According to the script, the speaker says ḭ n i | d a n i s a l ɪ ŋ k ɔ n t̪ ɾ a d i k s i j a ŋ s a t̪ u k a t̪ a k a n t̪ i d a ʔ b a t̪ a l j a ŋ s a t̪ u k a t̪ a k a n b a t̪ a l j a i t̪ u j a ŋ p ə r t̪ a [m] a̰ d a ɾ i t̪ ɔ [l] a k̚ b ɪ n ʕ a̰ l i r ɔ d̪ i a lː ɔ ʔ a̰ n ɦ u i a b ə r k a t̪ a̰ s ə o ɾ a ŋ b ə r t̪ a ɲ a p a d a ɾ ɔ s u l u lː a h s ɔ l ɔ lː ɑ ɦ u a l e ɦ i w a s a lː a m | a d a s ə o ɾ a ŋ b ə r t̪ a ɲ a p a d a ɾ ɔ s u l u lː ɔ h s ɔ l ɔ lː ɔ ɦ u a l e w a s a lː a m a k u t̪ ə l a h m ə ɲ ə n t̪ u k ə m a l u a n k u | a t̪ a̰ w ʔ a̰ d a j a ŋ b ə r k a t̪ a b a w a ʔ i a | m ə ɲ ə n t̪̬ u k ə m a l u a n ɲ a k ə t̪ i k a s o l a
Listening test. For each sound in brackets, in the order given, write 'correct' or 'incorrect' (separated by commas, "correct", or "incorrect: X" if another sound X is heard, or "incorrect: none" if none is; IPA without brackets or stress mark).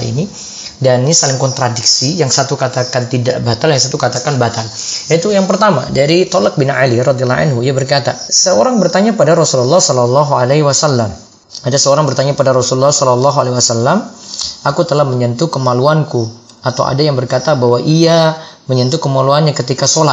correct, correct